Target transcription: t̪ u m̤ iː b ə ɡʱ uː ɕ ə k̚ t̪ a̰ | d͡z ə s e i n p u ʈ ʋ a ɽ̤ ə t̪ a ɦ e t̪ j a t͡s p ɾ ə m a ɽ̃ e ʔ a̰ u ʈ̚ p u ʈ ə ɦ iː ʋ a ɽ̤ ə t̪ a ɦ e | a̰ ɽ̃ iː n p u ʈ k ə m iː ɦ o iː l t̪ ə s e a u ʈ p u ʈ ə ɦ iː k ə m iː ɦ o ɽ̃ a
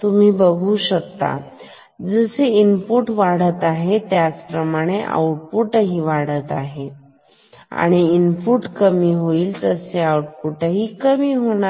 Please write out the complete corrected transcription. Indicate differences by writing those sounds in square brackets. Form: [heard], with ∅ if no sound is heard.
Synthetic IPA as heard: t̪ u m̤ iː b ə ɡʱ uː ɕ ə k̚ t̪ a̰ | d͡z ə s e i n p u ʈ ʋ a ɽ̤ ə t̪ a ɦ e t̪ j a t͡s p ɾ ə m a ɽ̃ e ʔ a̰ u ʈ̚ p u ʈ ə ɦ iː ʋ a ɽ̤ ə t̪ a ɦ e | a̰ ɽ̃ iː n p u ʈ k ə m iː ɦ o iː l t̪ ə s e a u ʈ p u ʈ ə ɦ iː k ə m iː ɦ o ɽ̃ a

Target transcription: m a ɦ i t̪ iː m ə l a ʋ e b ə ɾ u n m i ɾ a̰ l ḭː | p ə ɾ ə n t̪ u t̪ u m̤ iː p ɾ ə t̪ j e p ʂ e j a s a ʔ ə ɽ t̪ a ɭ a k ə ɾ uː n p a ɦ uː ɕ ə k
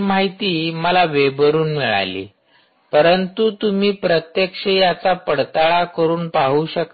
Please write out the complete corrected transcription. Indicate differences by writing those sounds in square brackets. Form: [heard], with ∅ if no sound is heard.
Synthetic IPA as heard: m a ɦ i t̪ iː m ə l a ʋ e b ə ɾ [uː] n m i [ɭ] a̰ l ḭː | p ə ɾ ə n t̪ u t̪ u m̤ iː p ɾ ə t̪ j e [k] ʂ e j a [t͡s] a [p] ə ɽ t̪ a ɭ a k ə ɾ uː n p a ɦ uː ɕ ə k

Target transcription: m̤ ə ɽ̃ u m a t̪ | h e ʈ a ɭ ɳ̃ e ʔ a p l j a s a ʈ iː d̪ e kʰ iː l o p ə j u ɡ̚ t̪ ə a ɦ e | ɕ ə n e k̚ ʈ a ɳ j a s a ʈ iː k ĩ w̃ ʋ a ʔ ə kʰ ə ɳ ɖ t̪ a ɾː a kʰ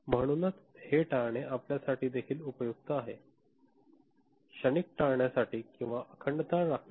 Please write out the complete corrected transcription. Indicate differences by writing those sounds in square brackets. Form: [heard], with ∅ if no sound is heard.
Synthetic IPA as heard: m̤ ə ɽ̃ u [n] a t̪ | h e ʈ a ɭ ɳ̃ e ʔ a p l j a s a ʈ iː d̪ e kʰ iː l [u] p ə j u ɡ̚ t̪ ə a ɦ e | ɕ ə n [i] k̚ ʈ a ɳ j a s a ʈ iː k ĩ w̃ ʋ a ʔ ə kʰ ə ɳ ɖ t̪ a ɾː a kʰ

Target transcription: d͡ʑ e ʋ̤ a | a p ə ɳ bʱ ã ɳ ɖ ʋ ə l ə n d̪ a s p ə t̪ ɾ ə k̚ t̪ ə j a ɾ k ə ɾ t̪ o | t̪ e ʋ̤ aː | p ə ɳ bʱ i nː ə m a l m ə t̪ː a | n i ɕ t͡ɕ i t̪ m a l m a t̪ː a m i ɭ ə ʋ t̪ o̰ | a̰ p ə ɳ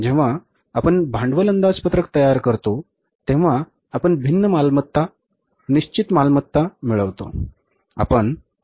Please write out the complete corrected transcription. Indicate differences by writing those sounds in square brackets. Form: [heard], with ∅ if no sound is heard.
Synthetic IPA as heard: d͡ʑ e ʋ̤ a | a p ə ɳ bʱ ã ɳ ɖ ʋ ə l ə n d̪ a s p ə t̪ ɾ ə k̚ t̪ ə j a ɾ k ə ɾ t̪ o | t̪ e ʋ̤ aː | p ə ɳ bʱ i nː ə m a l m ə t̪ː a | n i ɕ t͡ɕ i t̪ m a l m [ə] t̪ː a m i ɭ ə ʋ t̪ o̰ | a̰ p ə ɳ

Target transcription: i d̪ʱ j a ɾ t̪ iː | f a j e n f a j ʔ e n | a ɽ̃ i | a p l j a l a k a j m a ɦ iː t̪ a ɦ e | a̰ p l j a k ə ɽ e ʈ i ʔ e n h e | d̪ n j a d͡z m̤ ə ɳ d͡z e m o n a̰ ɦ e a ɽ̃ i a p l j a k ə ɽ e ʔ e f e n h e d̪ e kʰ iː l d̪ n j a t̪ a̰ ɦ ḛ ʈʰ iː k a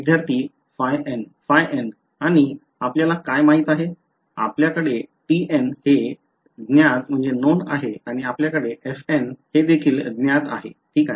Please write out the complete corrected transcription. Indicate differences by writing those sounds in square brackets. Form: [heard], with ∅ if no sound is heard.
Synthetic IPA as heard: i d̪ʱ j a ɾ t̪ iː | f a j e n f a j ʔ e n | a ɽ̃ i | a p l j a l a k a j m a ɦ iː t̪ a ɦ e | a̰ p l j a k ə ɽ e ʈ i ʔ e n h e | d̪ n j a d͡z m̤ ə ɳ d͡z e [n] o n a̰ ɦ e a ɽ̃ i a p l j a k ə ɽ e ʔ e f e n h e d̪ e kʰ iː l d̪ n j a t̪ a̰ ɦ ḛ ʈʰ iː k a

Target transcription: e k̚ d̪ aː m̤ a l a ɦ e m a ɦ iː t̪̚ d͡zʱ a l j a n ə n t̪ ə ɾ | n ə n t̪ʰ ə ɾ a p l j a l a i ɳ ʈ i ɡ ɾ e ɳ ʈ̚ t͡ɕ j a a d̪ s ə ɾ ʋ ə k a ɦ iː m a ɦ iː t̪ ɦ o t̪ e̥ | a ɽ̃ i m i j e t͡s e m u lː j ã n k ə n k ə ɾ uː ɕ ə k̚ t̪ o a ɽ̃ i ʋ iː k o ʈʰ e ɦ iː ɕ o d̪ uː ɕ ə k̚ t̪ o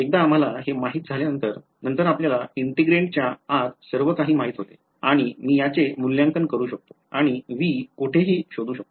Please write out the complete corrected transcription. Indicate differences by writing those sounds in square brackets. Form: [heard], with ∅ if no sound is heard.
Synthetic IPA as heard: e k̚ d̪ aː m̤ a l a ɦ e m a ɦ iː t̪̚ d͡zʱ a l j a n ə n t̪ ə ɾ | n ə n [t̪] ə ɾ a p l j a l a i ɳ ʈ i ɡ ɾ e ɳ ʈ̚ t͡ɕ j a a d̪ s ə ɾ ʋ ə k a ɦ iː m a ɦ iː t̪ ɦ o t̪ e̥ | a ɽ̃ i m [iː] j [a] t͡s e m u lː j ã [ŋ] k ə n k ə ɾ uː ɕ ə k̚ t̪ o a ɽ̃ i ʋ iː k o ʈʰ e ɦ iː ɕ o d̪ uː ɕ ə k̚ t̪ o

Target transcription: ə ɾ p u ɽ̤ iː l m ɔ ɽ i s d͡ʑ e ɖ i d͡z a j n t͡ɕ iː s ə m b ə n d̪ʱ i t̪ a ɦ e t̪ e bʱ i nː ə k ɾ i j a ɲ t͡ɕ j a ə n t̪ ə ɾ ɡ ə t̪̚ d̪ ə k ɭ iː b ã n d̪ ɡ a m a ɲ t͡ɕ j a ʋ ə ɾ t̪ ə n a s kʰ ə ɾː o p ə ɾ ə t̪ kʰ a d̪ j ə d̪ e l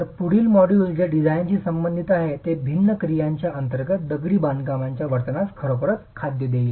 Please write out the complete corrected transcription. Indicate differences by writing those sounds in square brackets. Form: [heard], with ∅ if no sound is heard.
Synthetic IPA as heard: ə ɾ p u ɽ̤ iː l m ɔ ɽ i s d͡ʑ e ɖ i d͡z a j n t͡ɕ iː s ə m b ə n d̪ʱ i t̪ a ɦ e t̪ e bʱ i nː ə k ɾ i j a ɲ t͡ɕ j a ə n t̪ ə ɾ ɡ ə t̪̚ d̪ ə [ɡ] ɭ iː b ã n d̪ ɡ a m a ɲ t͡ɕ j a ʋ ə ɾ t̪ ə n a s kʰ ə [ɾ] o p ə ɾ ə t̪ kʰ a d̪ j ə d̪ e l

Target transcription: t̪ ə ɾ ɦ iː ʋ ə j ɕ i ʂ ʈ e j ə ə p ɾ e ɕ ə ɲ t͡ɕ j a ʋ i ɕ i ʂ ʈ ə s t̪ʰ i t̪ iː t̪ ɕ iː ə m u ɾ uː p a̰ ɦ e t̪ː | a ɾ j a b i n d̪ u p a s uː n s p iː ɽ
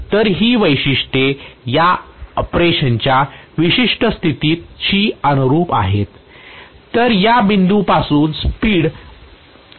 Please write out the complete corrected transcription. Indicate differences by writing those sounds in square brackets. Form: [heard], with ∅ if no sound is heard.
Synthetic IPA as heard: t̪ ə ɾ ɦ iː ʋ ə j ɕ i ʂ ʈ e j [a] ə p ɾ e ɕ ə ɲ t͡ɕ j a ʋ i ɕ i ʂ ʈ ə s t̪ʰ i t̪ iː t̪ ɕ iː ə [n] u ɾ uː p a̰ ɦ e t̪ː | [ə] ɾ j a b i n d̪ u p a s uː n s p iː ɽ

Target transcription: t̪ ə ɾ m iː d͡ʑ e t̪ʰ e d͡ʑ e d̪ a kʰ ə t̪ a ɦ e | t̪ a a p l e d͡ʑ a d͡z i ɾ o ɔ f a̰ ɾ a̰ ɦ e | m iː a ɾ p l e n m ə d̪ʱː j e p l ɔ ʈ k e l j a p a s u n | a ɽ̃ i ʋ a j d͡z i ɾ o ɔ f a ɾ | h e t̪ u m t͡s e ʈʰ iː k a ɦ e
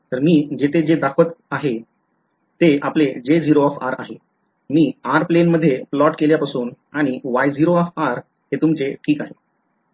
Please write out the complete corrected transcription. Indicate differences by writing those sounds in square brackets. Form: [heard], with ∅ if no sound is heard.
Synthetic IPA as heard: t̪ ə ɾ m iː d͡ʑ e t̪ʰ e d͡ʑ e d̪ a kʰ ə t̪ a ɦ e | t̪ [e] a p l e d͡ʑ [e] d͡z i ɾ o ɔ f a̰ ɾ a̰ ɦ e | m iː a ɾ p l e n m ə d̪ʱː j e p l ɔ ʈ k e l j a p a s [uː] n | a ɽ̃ i ʋ a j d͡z i ɾ o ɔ f a ɾ | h e t̪ u m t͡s e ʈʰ iː k a ɦ e

